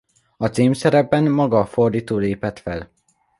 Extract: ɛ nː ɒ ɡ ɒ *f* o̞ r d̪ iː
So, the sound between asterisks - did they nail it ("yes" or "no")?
yes